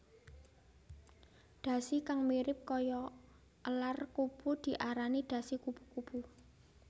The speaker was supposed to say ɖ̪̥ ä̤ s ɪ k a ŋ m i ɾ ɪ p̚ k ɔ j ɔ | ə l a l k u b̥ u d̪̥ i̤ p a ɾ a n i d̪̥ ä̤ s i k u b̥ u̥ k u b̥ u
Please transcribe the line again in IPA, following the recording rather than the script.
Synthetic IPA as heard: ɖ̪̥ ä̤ s i k a ŋ m i ɾ ɪ p̚ k ɔ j ɔ | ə l a r k u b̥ u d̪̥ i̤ ʔ a ɾ a n i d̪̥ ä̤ s i k u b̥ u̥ k u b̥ u